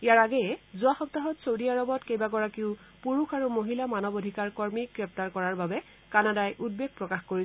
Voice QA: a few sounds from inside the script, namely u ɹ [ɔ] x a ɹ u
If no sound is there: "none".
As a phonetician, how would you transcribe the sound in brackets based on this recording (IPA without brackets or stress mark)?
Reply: u